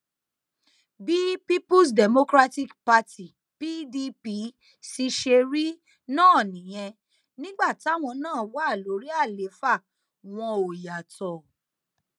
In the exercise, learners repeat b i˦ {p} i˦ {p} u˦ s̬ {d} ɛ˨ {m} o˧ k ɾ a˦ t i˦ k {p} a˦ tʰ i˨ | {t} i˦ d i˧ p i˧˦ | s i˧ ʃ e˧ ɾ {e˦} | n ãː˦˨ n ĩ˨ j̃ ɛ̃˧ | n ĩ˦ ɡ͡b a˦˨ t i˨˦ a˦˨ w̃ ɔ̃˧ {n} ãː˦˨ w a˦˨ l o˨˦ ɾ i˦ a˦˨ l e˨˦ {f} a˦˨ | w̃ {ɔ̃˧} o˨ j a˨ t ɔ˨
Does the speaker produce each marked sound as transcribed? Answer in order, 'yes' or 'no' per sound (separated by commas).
yes, yes, yes, yes, yes, no, no, yes, yes, yes